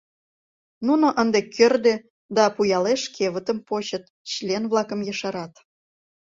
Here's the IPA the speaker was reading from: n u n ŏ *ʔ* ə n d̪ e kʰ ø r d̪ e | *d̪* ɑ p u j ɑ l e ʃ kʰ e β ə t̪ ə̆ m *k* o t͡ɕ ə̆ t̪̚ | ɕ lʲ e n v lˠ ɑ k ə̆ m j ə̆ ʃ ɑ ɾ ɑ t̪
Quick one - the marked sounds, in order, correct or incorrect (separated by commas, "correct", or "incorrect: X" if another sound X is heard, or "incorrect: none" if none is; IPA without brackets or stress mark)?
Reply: correct, correct, incorrect: p